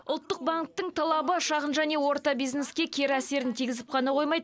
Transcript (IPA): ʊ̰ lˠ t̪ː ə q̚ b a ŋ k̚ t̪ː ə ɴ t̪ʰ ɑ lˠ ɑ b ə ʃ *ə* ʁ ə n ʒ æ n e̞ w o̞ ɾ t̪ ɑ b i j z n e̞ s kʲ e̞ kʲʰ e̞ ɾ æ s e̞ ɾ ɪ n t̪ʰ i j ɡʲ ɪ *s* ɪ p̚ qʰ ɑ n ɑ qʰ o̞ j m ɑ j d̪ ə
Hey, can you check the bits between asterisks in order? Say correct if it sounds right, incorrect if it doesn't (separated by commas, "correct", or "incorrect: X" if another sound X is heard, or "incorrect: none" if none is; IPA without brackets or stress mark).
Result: incorrect: ɑ, incorrect: z